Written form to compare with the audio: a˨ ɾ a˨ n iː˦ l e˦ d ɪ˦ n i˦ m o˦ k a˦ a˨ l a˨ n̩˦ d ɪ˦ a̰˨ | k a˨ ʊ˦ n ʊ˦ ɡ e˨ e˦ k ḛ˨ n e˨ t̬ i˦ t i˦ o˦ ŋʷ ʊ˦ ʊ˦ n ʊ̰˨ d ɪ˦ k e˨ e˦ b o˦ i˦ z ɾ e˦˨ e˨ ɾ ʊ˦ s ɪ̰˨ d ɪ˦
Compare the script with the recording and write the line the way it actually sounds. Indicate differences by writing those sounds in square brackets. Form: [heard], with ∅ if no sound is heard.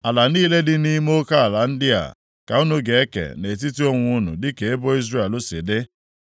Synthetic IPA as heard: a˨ [l] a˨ n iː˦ l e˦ d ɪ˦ n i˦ m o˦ k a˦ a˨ l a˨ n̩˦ d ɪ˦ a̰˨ | k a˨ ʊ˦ n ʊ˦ ɡ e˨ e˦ k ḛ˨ n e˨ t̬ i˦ t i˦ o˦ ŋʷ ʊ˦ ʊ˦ n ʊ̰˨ d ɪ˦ k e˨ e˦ b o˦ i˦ z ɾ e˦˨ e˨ [l] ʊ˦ s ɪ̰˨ d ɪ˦